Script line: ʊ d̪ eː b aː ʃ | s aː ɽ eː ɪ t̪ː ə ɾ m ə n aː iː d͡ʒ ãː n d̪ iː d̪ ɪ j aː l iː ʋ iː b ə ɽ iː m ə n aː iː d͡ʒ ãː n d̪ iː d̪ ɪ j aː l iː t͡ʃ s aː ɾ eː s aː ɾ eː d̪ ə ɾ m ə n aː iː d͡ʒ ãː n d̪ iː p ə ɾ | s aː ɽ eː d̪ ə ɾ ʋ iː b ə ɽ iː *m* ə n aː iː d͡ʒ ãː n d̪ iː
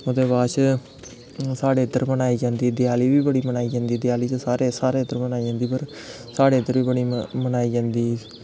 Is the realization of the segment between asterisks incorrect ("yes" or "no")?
no